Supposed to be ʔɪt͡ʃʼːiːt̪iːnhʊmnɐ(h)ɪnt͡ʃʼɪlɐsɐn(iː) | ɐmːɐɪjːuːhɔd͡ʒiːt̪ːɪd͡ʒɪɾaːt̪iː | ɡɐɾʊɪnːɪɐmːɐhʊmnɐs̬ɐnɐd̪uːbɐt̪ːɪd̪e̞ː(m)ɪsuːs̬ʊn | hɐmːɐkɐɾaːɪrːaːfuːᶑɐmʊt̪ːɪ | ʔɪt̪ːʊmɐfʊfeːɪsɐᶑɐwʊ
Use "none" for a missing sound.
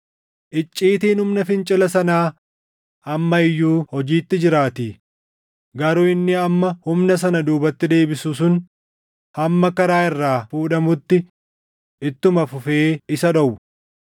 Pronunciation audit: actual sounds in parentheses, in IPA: f, aː, b

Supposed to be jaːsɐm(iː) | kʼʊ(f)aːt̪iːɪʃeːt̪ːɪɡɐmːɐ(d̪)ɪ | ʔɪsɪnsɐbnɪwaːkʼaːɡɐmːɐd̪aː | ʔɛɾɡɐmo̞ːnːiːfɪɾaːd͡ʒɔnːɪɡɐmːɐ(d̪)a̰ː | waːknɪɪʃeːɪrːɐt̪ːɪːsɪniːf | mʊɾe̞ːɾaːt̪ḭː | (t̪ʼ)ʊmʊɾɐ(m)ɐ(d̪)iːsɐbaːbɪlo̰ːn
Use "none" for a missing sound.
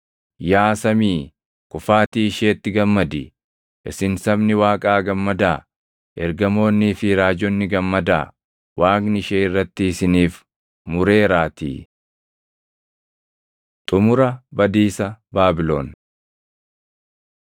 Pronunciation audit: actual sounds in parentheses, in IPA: iː, f, d̪, d̪, t̪ʼ, b, d̪

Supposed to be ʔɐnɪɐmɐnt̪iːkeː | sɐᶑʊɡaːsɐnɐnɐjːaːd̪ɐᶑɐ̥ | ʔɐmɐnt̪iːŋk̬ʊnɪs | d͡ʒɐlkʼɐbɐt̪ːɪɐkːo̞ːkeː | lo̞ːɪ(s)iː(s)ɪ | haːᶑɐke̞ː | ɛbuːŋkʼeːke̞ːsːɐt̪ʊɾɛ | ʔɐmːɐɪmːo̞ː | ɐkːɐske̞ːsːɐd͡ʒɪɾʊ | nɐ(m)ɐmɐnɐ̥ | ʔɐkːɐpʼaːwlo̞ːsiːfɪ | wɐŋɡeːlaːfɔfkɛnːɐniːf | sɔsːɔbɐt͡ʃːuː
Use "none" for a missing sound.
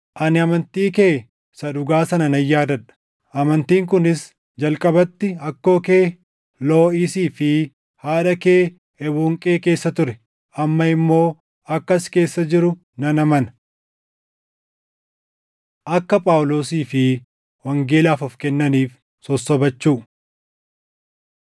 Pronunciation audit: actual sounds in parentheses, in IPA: s, f, n

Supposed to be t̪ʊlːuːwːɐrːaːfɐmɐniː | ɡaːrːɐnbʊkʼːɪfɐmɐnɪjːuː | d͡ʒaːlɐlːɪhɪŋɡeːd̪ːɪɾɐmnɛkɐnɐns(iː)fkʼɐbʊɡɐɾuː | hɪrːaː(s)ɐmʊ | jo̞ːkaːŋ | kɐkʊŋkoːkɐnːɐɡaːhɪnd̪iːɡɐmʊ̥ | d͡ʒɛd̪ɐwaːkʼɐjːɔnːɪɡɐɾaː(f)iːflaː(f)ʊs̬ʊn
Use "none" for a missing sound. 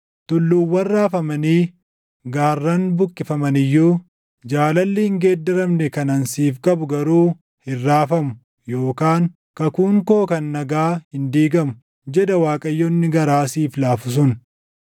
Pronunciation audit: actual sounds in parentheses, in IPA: iː, f, s, f

